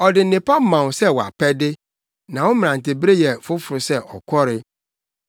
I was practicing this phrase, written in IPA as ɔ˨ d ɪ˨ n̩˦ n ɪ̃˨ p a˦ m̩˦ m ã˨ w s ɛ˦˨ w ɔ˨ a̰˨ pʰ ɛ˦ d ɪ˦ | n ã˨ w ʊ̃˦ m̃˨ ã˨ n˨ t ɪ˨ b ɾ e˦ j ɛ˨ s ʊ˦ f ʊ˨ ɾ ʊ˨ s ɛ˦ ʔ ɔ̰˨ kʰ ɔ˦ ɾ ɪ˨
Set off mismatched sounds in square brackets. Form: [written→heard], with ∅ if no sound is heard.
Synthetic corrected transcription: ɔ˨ d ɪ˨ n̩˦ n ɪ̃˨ p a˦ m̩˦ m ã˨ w s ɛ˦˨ w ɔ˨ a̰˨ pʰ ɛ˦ d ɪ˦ | n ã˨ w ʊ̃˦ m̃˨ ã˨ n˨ t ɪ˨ b ɾ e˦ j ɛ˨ [s→f] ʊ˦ f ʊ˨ ɾ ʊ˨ s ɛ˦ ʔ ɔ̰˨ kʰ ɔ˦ ɾ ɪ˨